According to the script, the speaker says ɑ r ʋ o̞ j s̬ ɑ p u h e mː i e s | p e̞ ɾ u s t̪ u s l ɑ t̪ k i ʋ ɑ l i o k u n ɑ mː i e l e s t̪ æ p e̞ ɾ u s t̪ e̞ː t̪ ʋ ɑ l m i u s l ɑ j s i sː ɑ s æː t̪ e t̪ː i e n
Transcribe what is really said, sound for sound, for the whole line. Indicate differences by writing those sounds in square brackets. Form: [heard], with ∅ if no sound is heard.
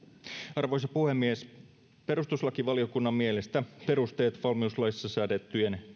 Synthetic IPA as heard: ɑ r ʋ o̞ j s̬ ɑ p u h e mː i e s | p e̞ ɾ u s t̪ u s l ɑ [∅] k i ʋ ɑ l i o k u [nː] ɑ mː i e l e s t̪ æ p e̞ ɾ u s t̪ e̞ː t̪ ʋ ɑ l m i u s l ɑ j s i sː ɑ s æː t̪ e t̪ː [y] e n